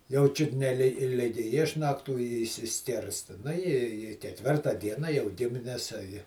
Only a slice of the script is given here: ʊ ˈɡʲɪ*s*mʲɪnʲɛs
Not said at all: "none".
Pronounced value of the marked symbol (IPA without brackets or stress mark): none